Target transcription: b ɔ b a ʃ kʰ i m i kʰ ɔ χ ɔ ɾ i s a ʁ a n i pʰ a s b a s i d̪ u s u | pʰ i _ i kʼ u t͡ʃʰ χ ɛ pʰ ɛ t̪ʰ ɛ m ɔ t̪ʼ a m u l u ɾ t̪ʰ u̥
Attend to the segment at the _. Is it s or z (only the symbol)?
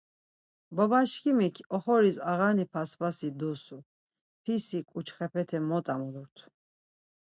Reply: s